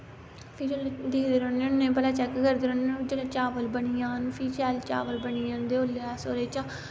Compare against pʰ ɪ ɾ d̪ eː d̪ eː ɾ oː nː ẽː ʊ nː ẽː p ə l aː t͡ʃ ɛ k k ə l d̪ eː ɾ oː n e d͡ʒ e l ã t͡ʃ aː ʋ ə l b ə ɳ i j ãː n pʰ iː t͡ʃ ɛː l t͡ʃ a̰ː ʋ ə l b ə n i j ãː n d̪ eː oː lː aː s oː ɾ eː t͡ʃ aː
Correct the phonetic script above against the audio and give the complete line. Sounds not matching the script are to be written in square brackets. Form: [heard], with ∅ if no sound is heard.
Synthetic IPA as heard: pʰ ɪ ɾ d̪ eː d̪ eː ɾ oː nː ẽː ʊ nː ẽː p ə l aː t͡ʃ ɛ k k ə [ɾ] d̪ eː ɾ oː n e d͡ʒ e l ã t͡ʃ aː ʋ ə l b ə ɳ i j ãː n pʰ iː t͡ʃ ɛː l t͡ʃ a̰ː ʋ ə l b ə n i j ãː n d̪ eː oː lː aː s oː ɾ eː t͡ʃ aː

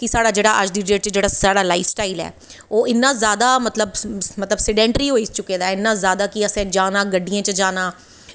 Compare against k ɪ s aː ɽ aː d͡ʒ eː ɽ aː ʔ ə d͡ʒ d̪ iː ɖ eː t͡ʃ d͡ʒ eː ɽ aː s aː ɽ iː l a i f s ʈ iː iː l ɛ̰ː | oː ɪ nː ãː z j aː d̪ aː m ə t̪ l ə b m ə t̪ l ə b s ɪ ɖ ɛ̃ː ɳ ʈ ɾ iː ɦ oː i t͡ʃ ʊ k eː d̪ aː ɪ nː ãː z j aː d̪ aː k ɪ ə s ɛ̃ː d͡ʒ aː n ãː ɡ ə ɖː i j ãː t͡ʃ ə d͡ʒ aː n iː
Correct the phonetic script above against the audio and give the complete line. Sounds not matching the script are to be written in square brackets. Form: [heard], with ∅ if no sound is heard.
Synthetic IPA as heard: k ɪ s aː ɽ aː d͡ʒ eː ɽ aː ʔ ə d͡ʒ d̪ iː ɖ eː t͡ʃ d͡ʒ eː ɽ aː s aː ɽ [aː] l a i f s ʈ [aː] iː l ɛ̰ː | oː ɪ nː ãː z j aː d̪ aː m ə t̪ l ə b m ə t̪ l ə b s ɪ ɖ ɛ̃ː ɳ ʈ ɾ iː ɦ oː i t͡ʃ ʊ k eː d̪ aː ɪ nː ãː z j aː d̪ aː k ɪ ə s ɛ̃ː d͡ʒ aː n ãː ɡ ə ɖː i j ãː t͡ʃ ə d͡ʒ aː n [aː]

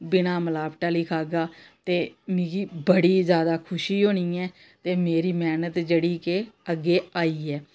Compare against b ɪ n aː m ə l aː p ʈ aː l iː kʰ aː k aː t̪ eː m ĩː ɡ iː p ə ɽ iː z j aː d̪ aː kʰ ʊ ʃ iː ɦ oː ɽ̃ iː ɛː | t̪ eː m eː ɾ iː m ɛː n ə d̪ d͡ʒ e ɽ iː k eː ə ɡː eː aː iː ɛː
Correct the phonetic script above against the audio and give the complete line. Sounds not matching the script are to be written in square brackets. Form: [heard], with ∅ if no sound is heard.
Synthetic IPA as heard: b ɪ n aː m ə l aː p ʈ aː l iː kʰ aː [ɡ] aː t̪ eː m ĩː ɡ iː [b] ə ɽ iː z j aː d̪ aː kʰ ʊ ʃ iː ɦ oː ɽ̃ iː ɛː | t̪ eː m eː ɾ iː m ɛː n ə [t̪] d͡ʒ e ɽ iː k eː ə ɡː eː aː iː ɛː

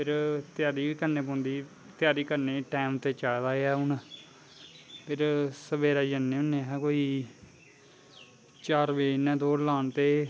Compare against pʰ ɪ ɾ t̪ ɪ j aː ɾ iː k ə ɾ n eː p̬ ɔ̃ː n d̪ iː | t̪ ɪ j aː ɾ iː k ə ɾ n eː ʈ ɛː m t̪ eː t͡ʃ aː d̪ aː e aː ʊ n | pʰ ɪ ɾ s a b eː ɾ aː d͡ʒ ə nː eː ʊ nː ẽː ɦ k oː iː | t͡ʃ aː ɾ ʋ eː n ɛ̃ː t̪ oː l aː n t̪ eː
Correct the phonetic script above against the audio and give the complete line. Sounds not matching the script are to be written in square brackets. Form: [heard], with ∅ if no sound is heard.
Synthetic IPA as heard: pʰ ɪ ɾ t̪ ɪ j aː ɾ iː k ə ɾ n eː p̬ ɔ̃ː n d̪ iː | t̪ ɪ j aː ɾ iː k ə ɾ n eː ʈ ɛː m t̪ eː t͡ʃ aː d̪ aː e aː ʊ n | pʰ ɪ ɾ s [ə] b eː ɾ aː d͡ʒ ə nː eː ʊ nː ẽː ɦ k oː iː | t͡ʃ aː ɾ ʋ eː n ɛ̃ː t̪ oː l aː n t̪ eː

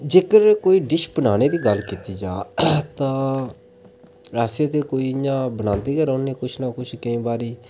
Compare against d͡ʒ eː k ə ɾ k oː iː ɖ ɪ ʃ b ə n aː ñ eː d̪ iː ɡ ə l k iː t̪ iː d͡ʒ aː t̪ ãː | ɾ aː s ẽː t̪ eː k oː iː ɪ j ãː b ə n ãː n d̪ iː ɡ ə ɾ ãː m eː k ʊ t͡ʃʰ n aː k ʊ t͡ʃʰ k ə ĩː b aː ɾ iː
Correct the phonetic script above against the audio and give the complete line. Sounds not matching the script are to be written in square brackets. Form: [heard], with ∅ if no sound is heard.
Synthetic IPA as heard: d͡ʒ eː k ə ɾ k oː iː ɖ ɪ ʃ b ə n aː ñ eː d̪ iː ɡ ə l k iː t̪ iː d͡ʒ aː t̪ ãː | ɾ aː s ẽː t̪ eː k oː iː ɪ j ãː b ə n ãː n d̪ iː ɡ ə ɾ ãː [n] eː k ʊ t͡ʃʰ n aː k ʊ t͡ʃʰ k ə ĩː b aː ɾ iː

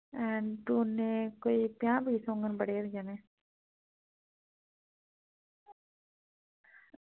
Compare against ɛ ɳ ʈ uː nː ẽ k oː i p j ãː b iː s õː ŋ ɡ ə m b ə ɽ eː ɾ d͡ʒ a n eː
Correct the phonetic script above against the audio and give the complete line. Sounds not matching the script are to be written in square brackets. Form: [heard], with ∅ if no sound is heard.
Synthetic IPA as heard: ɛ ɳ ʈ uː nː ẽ k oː i p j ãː b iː s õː ŋ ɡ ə [n] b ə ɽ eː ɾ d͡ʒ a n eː

